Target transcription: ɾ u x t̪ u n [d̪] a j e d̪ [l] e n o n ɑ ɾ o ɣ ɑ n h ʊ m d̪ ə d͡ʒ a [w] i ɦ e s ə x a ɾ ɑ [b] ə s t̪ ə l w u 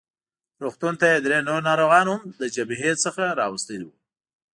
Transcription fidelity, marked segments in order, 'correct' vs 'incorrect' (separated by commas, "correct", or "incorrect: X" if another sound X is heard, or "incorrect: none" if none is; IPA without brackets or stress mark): incorrect: t̪, incorrect: ɾ, incorrect: b, incorrect: w